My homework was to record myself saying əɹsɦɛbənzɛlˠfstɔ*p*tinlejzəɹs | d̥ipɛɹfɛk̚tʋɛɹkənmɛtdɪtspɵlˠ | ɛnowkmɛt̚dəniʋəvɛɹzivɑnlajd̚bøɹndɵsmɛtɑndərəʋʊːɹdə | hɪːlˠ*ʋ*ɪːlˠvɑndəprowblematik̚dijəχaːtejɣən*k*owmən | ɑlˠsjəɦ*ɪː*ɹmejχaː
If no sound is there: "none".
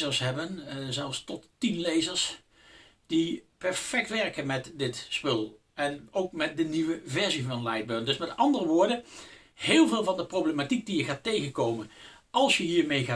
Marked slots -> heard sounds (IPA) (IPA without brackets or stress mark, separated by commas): t, v, k, iː